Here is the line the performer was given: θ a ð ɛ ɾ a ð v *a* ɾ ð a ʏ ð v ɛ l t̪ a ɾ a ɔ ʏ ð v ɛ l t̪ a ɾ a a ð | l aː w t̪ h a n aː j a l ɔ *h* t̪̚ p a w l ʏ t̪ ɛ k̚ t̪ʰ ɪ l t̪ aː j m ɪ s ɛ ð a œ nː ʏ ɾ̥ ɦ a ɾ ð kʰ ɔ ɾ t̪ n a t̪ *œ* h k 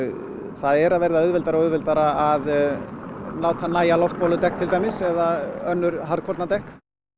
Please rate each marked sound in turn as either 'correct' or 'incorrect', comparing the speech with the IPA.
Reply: incorrect: ɛ, incorrect: f, incorrect: ɛ

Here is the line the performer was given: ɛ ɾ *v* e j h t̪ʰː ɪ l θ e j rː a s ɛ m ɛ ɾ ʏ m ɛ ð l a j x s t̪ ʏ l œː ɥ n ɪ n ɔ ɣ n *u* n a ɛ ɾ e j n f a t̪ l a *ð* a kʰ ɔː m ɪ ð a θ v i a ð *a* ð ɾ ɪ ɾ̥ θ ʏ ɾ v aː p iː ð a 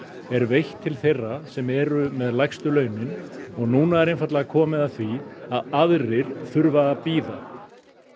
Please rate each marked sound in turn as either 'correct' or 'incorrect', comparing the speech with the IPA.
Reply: correct, incorrect: uː, incorrect: ɣ, correct

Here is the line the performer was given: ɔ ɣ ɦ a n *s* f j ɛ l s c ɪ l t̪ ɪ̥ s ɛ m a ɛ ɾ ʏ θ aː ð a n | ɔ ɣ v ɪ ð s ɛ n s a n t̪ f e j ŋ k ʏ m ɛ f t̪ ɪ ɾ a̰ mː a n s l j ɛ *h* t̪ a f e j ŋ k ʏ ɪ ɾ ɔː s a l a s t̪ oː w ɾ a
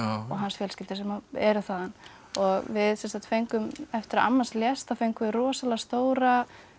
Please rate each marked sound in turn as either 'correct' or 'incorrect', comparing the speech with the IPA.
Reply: correct, incorrect: s

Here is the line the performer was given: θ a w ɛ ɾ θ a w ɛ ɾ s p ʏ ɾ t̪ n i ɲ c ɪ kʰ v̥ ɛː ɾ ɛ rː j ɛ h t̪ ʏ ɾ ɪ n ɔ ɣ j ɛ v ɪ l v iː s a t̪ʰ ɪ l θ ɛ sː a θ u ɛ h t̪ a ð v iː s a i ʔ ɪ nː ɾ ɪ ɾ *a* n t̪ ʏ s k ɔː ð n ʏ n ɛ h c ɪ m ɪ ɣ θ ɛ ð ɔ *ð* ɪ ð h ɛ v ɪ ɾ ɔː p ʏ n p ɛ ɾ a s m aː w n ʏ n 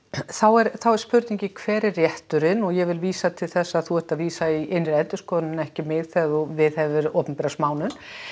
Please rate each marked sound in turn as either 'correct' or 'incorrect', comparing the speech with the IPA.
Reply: incorrect: ɛ, incorrect: v

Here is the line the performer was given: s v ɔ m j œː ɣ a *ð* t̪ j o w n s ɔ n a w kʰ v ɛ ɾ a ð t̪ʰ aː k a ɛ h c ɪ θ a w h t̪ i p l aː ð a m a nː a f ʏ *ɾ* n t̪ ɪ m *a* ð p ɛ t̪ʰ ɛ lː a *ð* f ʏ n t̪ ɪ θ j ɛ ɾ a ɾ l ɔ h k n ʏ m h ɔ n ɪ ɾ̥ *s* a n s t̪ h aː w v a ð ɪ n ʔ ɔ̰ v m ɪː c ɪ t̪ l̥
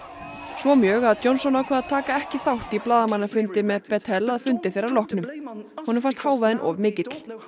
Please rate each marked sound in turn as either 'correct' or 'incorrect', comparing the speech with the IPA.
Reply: correct, incorrect: none, incorrect: ɛ, correct, incorrect: f

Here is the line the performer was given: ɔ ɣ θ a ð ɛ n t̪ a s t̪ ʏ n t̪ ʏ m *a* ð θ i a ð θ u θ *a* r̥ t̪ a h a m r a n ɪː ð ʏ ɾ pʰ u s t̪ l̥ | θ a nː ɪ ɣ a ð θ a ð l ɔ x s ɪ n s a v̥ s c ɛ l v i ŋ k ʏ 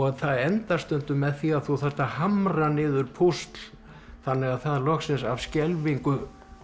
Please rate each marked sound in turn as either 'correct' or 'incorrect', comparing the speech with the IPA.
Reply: incorrect: ɛ, incorrect: ɛ

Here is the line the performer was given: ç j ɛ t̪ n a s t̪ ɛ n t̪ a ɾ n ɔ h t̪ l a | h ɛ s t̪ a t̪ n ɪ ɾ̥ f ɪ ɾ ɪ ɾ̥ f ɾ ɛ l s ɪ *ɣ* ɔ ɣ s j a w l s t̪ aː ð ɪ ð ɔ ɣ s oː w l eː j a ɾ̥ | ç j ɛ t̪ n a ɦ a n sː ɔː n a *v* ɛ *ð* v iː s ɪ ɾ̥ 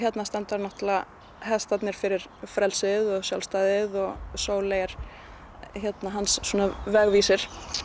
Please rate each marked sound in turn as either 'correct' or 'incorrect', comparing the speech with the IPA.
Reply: incorrect: ð, correct, incorrect: ɣ

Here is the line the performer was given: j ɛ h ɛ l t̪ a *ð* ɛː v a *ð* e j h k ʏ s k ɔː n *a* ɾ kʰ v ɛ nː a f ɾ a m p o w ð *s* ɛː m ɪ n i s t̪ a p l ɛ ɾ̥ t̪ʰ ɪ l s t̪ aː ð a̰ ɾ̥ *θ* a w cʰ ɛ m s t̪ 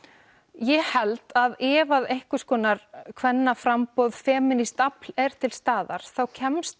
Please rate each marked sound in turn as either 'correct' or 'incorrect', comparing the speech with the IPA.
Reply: correct, correct, correct, incorrect: f, correct

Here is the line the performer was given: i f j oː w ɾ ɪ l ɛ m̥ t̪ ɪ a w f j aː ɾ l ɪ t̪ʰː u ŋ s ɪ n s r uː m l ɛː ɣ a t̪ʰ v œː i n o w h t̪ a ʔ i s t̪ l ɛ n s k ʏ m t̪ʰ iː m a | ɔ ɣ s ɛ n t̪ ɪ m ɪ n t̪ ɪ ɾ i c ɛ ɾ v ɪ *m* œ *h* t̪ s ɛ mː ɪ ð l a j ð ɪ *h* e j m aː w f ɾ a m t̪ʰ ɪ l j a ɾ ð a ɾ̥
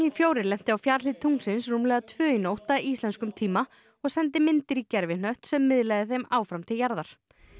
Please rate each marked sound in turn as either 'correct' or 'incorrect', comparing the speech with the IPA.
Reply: incorrect: n, correct, incorrect: θ

